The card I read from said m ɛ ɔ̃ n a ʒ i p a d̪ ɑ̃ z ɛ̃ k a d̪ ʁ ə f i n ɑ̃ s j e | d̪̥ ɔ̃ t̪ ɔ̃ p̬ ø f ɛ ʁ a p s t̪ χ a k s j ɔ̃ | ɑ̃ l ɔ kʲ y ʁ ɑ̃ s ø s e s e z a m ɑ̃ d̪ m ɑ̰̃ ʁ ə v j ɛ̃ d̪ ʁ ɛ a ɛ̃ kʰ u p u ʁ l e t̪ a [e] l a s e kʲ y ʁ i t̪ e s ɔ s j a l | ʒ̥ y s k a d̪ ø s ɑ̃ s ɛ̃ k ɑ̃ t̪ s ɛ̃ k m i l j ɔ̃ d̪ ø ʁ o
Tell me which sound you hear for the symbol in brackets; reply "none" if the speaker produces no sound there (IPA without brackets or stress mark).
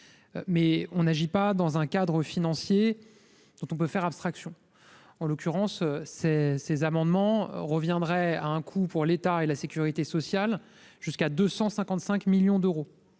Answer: e